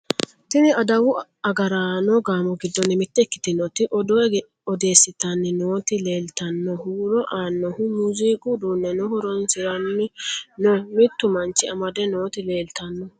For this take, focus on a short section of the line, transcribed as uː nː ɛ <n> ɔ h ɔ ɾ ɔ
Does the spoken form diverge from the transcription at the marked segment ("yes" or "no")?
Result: no